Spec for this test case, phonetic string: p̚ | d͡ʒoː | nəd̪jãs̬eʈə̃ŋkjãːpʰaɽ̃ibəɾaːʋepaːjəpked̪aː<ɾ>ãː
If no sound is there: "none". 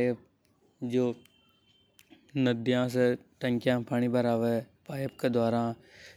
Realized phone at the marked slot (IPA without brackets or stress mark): ɾ